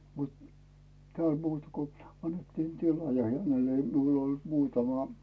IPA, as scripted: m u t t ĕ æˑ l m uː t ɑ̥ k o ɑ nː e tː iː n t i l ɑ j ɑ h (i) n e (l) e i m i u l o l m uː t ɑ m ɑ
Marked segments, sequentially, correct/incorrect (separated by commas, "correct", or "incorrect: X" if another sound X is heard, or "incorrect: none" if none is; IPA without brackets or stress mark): incorrect: æ, correct